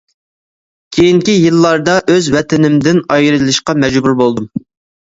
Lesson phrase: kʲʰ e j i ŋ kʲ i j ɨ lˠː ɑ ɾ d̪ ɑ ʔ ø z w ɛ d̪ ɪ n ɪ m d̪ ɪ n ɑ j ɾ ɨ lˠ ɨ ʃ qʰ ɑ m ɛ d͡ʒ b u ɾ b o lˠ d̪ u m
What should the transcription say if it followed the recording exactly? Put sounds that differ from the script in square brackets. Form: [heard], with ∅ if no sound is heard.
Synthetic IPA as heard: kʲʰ e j i ŋ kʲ i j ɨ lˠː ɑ ɾ d̪ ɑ ʔ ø z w ɛ [t̪] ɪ n ɪ m d̪ ɪ n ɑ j ɾ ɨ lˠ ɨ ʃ [q] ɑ m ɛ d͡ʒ b u ɾ b o lˠ d̪ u m

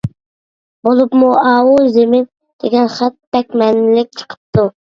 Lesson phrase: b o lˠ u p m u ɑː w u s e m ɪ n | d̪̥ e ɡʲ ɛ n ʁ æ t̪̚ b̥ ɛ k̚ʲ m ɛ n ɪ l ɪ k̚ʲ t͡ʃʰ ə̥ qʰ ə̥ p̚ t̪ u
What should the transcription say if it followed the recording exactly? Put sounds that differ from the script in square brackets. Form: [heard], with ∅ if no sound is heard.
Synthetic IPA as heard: b o lˠ u p m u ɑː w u [z] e m ɪ n | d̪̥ e ɡʲ ɛ n [χ] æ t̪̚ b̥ ɛ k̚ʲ m ɛ n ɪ l ɪ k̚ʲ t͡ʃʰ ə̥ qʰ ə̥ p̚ t̪ u

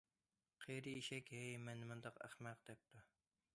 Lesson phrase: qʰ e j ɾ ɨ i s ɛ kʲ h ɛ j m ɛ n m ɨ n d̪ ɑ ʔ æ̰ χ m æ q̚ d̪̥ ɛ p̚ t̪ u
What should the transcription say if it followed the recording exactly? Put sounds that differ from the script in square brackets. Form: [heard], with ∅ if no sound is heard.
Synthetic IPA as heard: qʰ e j ɾ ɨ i [ʃ] ɛ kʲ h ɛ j m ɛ n m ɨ n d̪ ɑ [q] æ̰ χ m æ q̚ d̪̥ ɛ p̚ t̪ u

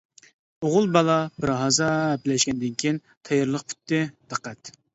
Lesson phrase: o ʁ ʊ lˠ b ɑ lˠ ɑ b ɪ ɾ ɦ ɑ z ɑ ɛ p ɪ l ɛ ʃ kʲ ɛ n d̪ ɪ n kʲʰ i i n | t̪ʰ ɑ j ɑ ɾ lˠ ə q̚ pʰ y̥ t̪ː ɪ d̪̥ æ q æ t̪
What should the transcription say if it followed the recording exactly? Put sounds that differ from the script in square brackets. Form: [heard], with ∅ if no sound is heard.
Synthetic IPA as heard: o ʁ ʊ lˠ b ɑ lˠ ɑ b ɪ ɾ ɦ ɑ z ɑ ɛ p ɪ l ɛ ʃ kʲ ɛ n d̪ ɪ n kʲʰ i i n | t̪ʰ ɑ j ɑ ɾ lˠ ə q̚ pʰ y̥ t̪ː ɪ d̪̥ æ q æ t̪

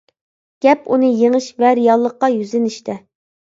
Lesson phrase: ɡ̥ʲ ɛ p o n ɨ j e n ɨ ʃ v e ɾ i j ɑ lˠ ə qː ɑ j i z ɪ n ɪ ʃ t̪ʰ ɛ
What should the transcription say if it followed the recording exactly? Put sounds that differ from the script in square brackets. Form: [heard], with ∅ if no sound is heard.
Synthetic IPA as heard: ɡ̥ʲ ɛ p [u] n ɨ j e [ŋ] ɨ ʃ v [ɛ] ɾ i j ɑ [lˠː] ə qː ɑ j [y] z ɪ n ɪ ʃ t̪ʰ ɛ

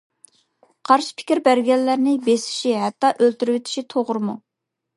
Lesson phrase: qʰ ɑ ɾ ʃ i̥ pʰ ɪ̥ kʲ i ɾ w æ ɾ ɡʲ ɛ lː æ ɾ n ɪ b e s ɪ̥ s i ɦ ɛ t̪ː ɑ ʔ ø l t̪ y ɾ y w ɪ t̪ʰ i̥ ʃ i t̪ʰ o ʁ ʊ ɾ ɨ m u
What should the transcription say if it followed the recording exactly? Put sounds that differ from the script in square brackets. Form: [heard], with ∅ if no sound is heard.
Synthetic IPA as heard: qʰ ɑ ɾ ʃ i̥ pʰ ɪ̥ kʲ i ɾ [b] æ ɾ ɡʲ ɛ lː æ ɾ n ɪ b e s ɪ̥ [ʃ] i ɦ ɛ t̪ː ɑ ʔ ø l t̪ y ɾ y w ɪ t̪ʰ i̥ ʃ i t̪ʰ o ʁ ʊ ɾ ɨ m u

